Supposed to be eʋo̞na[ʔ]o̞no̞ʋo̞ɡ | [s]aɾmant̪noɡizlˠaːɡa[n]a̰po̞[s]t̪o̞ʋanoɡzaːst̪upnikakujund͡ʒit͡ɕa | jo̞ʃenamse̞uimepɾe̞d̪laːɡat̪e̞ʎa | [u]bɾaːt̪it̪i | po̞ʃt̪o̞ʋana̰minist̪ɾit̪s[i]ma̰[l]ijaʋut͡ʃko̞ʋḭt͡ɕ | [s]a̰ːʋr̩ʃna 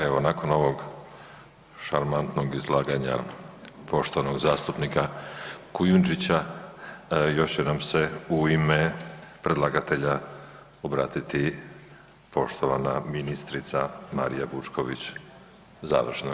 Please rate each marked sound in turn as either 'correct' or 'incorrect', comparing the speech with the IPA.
incorrect: k, incorrect: ʃ, incorrect: ɲ, incorrect: ʃ, incorrect: o, incorrect: a, incorrect: ɾ, incorrect: z

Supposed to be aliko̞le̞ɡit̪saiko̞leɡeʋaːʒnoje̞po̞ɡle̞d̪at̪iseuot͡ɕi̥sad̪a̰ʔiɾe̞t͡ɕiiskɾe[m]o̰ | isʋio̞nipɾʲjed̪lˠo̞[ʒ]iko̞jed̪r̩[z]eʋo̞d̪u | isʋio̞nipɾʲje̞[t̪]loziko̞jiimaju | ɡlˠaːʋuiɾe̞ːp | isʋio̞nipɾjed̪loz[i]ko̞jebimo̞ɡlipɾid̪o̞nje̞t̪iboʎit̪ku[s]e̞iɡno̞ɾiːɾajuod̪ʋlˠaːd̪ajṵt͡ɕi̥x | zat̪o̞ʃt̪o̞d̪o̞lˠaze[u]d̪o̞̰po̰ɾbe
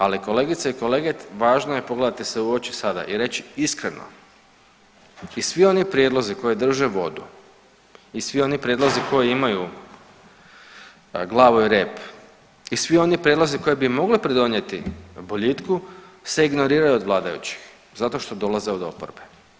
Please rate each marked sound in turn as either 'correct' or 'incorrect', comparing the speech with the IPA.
incorrect: n, incorrect: z, incorrect: ʒ, incorrect: d̪, correct, correct, incorrect: o

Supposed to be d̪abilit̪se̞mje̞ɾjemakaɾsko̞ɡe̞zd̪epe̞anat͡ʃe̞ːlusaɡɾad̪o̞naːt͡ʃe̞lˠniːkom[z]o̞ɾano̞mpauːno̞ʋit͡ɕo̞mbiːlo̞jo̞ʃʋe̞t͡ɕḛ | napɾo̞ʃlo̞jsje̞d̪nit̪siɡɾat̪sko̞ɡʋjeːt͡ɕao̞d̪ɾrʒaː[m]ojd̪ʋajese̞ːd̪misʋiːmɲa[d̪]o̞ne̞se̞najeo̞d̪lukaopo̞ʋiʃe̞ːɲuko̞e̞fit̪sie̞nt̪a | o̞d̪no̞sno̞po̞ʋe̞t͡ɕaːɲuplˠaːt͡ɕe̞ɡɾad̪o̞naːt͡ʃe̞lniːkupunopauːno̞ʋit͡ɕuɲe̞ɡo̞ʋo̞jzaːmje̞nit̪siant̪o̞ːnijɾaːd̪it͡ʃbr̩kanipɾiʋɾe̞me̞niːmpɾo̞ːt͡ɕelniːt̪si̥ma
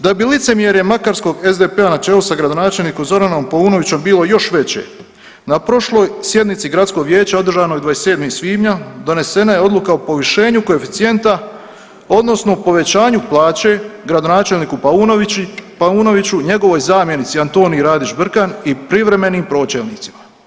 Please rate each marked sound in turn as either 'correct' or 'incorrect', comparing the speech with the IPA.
correct, incorrect: n, correct

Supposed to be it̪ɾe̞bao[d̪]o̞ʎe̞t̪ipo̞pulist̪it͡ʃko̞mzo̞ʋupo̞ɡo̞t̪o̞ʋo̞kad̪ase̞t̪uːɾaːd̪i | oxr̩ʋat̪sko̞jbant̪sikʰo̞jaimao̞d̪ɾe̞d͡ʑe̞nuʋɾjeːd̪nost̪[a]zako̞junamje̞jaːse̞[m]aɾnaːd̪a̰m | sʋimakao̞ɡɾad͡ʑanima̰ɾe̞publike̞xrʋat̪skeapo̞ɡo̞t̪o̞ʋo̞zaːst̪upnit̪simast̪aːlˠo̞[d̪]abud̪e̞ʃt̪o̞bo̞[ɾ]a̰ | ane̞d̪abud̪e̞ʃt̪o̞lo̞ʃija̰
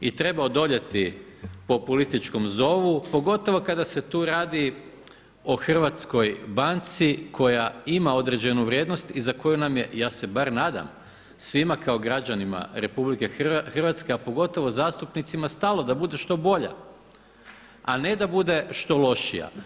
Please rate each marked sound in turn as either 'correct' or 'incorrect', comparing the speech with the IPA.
correct, incorrect: i, incorrect: b, correct, incorrect: ʎ

